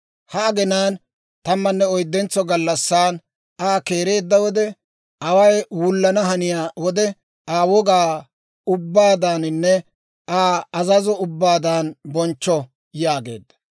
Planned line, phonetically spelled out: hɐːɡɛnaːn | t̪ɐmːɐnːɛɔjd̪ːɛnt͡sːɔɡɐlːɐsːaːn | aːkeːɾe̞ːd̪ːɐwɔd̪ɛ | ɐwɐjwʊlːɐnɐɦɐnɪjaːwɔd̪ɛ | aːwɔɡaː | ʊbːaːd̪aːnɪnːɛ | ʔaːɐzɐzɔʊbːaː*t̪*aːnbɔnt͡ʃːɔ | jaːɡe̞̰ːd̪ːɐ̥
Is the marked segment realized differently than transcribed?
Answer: yes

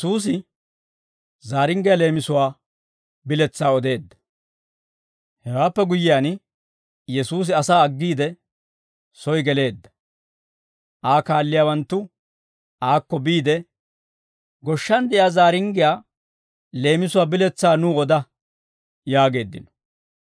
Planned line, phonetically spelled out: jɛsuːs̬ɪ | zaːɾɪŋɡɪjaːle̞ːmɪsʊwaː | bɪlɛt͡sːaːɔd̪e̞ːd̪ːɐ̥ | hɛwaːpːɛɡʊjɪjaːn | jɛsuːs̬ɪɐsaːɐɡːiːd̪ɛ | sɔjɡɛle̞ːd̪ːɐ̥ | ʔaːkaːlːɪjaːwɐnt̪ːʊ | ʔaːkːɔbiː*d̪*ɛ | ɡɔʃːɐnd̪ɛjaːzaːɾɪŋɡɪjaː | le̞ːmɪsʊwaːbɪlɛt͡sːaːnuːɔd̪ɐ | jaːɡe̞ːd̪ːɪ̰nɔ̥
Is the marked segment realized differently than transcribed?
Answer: no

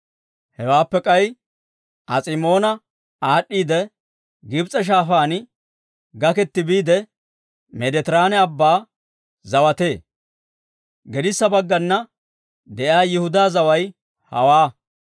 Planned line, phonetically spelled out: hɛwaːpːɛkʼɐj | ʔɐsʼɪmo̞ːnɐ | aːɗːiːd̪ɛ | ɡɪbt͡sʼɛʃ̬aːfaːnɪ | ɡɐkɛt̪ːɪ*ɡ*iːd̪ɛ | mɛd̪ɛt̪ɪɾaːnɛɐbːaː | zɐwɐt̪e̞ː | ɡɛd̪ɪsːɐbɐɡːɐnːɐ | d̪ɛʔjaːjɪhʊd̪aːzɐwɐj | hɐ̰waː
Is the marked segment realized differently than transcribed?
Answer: yes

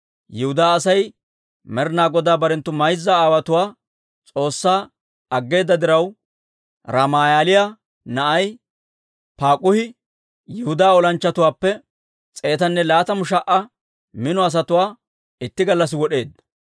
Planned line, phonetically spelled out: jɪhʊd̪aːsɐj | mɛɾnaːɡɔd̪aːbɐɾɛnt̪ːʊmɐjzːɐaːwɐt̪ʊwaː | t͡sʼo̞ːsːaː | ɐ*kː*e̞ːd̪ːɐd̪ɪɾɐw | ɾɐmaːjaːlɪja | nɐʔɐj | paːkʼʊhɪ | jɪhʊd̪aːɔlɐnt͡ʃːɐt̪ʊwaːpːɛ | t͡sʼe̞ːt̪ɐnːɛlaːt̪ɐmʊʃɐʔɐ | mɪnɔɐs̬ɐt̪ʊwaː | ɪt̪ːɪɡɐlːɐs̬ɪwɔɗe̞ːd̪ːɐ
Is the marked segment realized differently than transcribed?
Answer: yes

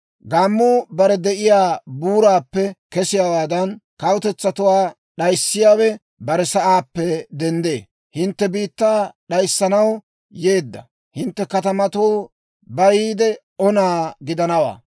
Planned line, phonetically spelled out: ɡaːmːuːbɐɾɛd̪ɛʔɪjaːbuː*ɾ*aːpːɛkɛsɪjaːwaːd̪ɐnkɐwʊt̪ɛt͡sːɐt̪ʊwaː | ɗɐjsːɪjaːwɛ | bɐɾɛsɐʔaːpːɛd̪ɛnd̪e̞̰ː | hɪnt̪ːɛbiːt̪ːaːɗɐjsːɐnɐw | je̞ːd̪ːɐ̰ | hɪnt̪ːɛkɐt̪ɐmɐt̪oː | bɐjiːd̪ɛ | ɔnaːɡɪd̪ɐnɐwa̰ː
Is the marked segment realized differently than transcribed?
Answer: no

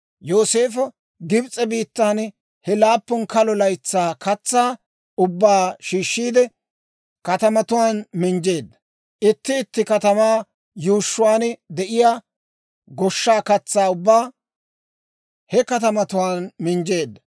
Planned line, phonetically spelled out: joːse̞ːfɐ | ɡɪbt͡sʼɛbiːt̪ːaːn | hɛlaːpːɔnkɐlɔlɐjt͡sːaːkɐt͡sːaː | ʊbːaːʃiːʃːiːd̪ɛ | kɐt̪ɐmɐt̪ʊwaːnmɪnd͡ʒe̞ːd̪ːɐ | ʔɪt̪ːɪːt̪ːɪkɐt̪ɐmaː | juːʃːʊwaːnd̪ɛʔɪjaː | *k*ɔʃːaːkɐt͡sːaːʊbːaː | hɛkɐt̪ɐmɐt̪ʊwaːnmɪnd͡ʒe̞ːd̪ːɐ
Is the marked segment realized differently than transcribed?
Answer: yes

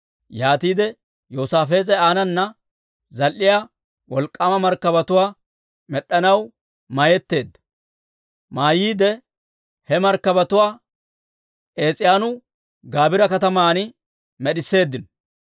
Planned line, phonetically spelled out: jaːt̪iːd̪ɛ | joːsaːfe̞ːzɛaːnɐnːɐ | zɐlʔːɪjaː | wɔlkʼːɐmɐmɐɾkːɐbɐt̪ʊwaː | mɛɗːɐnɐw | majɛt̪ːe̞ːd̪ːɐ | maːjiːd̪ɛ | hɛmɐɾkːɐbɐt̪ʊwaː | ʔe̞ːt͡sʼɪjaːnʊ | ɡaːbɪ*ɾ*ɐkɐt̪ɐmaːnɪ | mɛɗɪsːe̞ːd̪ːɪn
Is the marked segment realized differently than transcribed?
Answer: no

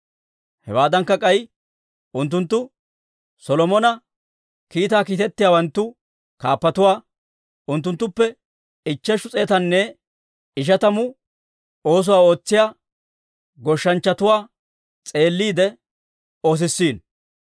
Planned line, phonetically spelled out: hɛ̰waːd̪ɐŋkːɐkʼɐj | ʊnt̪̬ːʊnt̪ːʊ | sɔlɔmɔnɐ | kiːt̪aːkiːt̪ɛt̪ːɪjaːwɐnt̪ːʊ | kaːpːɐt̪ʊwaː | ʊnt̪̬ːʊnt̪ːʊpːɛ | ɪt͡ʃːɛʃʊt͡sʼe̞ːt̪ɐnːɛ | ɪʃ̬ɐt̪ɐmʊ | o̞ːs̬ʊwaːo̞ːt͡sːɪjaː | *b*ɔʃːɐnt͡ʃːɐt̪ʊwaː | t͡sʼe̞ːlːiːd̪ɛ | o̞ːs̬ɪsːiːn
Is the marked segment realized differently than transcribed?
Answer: yes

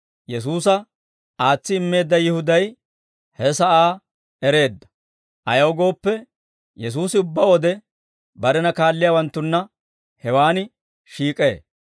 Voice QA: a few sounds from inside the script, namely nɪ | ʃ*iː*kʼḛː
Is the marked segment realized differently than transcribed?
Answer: no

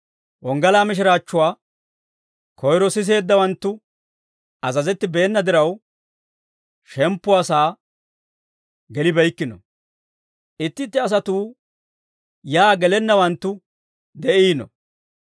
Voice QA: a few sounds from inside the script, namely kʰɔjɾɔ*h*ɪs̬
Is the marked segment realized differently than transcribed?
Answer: yes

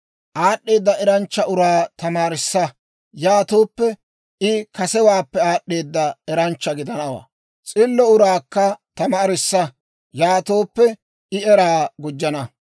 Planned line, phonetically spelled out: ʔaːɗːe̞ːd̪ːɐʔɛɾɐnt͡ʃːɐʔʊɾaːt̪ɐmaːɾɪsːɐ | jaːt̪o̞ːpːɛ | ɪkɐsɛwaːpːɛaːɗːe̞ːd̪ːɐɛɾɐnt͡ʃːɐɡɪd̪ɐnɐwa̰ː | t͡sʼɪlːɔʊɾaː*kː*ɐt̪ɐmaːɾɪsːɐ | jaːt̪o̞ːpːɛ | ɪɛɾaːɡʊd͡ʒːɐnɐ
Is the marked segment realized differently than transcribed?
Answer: no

